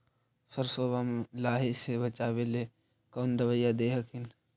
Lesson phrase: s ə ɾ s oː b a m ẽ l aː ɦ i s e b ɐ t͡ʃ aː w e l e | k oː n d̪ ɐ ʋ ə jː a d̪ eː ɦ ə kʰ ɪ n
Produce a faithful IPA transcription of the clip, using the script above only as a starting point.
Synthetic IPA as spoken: s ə ɾ s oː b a m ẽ l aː ɦ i s e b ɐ t͡ʃ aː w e l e | k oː n d̪ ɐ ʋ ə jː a d̪ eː ɦ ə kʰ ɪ n